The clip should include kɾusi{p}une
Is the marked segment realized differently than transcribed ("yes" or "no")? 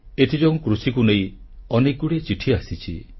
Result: yes